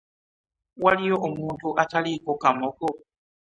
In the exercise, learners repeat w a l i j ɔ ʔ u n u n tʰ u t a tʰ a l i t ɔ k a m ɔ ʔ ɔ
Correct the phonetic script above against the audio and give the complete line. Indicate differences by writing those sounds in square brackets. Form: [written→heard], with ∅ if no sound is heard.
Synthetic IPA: w a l i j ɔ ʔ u [n→m] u n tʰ u [t→ʔ] a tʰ a l i [t→k] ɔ k a m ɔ [ʔ→k] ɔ